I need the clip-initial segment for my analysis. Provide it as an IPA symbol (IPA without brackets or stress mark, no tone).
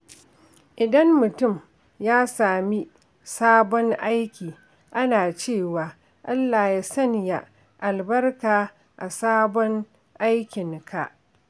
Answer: ʔ